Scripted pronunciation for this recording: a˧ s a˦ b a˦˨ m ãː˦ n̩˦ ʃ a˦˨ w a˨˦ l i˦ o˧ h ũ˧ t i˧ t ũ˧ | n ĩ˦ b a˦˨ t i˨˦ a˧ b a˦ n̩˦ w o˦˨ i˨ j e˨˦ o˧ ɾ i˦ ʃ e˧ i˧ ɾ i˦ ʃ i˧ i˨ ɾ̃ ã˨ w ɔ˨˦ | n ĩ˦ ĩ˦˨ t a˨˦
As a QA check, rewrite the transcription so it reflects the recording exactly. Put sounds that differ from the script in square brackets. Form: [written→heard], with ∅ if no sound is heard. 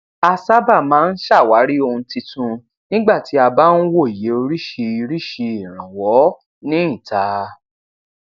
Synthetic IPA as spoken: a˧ s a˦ b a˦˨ m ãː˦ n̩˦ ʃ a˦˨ w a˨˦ [l→ɾ] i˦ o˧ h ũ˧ t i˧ t ũ˧ | n ĩ˦ [b→ɡ͡b] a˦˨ t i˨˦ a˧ b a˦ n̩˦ w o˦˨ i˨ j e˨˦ o˧ ɾ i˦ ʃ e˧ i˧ ɾ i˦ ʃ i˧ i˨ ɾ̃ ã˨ w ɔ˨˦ | n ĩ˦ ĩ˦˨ t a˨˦